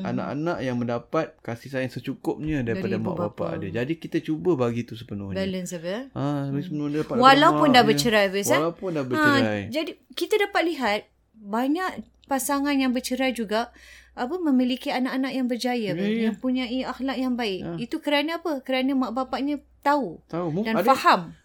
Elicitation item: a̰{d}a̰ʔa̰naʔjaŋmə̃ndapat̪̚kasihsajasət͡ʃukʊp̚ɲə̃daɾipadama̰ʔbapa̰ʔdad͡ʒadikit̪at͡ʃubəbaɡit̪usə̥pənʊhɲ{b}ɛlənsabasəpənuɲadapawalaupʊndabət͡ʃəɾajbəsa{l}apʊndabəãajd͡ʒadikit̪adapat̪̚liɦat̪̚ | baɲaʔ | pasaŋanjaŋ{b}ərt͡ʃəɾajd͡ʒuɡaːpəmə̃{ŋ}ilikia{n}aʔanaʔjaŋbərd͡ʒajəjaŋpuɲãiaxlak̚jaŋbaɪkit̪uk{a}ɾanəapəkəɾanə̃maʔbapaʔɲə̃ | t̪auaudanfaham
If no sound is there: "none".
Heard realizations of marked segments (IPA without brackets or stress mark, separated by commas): n, b, l, b, m, n, ə